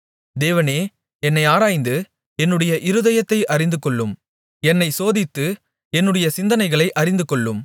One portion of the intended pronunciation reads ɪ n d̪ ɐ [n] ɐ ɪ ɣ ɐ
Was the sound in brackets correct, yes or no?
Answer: yes